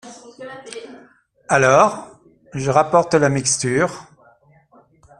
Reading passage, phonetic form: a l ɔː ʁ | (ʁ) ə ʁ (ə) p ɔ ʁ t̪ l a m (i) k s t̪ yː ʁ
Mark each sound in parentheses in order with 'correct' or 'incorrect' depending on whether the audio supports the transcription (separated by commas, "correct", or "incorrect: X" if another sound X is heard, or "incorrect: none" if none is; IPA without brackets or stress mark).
incorrect: ʒ, incorrect: a, correct